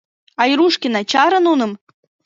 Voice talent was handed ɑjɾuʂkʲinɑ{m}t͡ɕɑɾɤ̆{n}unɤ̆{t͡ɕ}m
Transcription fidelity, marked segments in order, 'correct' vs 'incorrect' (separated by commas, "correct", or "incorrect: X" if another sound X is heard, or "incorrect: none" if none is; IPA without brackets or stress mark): incorrect: none, correct, incorrect: none